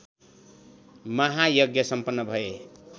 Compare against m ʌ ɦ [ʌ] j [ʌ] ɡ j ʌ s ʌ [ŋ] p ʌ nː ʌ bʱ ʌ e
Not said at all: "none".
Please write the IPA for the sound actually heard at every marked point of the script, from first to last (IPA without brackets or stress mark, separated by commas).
a, ʌ, m